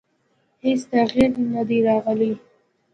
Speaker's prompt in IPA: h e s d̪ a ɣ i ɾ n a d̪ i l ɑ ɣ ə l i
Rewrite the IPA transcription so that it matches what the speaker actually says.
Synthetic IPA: h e s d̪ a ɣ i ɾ n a d̪ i ɾ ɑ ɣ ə l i